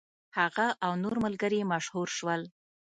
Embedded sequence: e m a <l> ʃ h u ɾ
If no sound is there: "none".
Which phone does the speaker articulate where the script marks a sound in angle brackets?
none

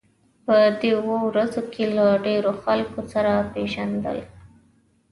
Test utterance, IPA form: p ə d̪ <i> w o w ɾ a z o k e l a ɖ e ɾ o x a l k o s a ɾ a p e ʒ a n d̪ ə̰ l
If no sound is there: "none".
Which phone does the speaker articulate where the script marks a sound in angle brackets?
e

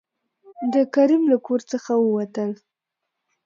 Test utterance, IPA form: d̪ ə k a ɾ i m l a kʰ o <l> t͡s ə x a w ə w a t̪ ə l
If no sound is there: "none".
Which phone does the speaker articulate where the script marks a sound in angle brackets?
ɾ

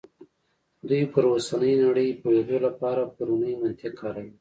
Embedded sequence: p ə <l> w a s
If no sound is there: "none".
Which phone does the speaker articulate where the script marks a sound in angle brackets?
ɾ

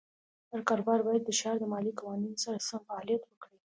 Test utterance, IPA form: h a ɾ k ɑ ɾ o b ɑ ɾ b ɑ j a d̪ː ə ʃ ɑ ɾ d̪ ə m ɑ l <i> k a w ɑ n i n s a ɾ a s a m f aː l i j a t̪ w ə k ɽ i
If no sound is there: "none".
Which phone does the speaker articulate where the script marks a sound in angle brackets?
i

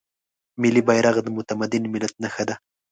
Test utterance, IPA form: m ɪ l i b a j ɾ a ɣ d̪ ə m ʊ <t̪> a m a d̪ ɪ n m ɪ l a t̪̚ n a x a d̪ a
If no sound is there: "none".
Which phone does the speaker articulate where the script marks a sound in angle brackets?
t̪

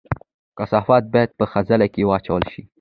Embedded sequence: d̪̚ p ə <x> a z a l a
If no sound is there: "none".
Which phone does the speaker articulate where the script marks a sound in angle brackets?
x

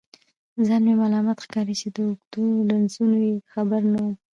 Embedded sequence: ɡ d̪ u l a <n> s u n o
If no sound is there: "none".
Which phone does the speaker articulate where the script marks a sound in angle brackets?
n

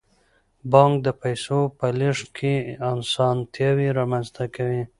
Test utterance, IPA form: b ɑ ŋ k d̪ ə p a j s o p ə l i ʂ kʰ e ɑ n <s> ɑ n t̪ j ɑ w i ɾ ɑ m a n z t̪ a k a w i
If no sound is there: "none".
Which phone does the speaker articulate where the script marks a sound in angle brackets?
s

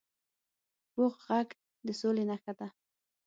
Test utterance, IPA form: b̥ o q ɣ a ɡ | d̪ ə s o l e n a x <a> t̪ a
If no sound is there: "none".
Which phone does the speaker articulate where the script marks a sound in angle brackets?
a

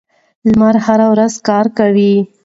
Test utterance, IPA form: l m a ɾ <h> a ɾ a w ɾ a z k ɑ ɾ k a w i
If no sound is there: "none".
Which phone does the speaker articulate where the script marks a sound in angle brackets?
h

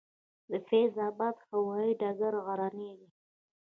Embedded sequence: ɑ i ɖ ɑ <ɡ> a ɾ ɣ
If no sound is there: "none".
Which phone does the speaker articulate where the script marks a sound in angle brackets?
ɡ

